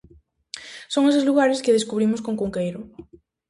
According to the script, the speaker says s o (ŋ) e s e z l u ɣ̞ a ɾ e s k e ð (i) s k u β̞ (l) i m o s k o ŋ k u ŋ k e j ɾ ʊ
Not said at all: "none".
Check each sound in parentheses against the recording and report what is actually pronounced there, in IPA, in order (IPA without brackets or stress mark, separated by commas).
ŋ, e, ɾ